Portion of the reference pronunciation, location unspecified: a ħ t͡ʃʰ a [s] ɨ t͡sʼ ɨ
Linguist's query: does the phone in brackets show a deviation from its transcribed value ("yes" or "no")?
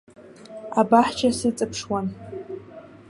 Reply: no